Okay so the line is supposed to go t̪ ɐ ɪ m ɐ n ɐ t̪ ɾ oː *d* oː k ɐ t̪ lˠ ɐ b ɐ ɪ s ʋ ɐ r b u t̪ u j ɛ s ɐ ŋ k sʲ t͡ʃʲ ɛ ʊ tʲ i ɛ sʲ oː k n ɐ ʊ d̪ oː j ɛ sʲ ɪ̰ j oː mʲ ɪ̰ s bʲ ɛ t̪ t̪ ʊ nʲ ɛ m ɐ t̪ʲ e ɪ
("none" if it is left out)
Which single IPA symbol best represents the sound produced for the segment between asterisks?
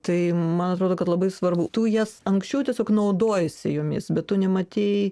d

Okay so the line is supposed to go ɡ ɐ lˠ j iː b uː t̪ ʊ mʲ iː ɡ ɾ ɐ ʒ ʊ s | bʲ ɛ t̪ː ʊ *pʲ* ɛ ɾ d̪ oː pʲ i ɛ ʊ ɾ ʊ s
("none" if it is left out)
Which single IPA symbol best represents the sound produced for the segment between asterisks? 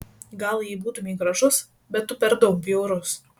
pʲ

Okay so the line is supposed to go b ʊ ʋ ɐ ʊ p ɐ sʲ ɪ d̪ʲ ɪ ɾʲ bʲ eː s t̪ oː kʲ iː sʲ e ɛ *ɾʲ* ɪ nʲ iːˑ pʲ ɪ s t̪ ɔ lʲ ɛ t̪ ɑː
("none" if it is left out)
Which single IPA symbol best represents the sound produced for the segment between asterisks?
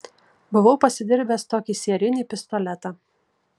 ɾʲ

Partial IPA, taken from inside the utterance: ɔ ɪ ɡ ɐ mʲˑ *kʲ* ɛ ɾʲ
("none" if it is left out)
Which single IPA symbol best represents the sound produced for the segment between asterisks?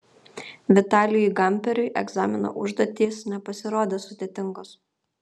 pʲ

